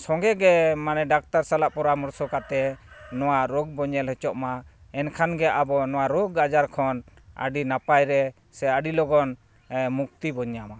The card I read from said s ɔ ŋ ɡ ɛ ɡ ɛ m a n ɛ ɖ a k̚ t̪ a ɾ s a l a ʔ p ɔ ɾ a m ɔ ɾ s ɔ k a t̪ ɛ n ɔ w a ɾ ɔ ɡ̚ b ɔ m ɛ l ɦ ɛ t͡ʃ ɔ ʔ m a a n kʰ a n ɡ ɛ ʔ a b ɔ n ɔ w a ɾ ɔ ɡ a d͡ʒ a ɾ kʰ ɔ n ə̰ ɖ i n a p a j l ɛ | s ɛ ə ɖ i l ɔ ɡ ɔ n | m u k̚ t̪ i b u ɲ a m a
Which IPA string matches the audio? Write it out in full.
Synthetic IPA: s ɔ ŋ ɡ ɛ ɡ ɛ m a n ɛ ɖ a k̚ t̪ a ɾ s a l a ʔ p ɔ ɾ a m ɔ ɾ s ɔ k a t̪ ɛ n ɔ w a ɾ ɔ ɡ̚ b ɔ ɲ ɛ l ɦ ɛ t͡ʃ ɔ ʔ m a ɛ n kʰ a n ɡ ɛ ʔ a b ɔ n ɔ w a ɾ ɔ ɡ a d͡ʒ a ɾ kʰ ɔ n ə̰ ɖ i n a p a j ɾ ɛ | s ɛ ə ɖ i l ɔ ɡ ɔ n | m u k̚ t̪ i b ɔ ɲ a m a